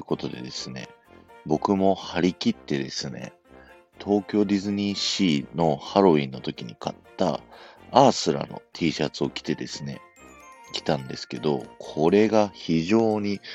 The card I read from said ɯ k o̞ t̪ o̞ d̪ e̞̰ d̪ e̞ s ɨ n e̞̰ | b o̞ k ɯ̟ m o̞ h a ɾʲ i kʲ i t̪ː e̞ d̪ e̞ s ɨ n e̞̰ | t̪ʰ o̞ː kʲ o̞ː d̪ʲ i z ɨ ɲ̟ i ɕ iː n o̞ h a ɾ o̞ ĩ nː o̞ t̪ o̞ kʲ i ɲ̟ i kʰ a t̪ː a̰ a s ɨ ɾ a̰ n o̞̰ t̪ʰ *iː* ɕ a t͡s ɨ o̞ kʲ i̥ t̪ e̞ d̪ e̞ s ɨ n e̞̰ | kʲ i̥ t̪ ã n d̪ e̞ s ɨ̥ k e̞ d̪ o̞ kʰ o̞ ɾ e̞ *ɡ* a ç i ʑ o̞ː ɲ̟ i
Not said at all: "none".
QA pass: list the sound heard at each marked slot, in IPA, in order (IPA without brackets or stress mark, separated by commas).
iː, ɡ